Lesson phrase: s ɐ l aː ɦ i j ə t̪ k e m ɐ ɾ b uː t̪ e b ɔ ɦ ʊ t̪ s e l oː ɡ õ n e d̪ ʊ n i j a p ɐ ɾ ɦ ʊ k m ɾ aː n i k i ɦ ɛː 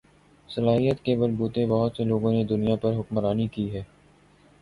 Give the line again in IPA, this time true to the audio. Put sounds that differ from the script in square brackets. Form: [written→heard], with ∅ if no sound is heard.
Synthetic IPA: s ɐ l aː ɦ i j ə t̪ k e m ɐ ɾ b uː t̪ e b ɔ ɦ ʊ t̪ s e l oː ɡ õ n e d̪ ʊ n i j a p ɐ ɾ ɦ ʊ k m ɾ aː n i k i ɦ ɛː